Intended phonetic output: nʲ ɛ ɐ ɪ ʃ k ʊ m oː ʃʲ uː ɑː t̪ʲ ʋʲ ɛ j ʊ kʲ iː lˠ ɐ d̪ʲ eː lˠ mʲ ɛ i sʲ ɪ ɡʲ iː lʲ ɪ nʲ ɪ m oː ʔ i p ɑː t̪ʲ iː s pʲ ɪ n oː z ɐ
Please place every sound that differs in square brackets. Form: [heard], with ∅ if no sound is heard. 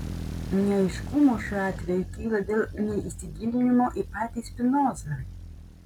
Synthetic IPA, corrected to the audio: nʲ ɛ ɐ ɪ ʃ k ʊ m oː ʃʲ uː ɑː t̪ʲ ʋʲ ɛ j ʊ kʲ iː lˠ ɐ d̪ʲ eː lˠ [nʲ] ɛ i sʲ ɪ ɡʲ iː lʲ ɪ nʲ ɪ m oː ʔ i p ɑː t̪ʲ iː s pʲ ɪ n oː z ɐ